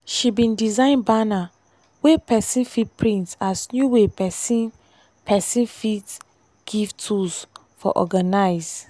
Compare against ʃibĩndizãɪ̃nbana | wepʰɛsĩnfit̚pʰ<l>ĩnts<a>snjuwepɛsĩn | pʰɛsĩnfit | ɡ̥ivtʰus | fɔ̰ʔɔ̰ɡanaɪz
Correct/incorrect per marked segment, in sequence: incorrect, correct

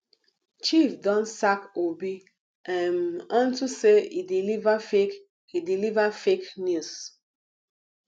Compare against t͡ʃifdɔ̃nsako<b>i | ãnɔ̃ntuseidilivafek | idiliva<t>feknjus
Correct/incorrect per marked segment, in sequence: correct, incorrect

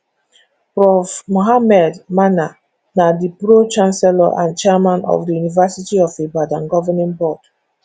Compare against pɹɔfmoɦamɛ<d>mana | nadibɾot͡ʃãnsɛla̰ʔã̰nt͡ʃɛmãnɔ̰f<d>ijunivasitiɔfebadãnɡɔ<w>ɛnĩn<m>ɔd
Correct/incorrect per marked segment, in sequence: correct, correct, incorrect, incorrect

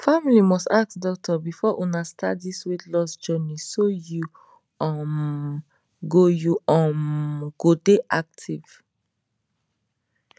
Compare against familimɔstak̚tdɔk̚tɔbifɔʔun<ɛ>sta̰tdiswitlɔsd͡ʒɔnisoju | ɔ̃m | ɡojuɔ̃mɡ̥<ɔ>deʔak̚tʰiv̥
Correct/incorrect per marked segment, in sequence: incorrect, incorrect

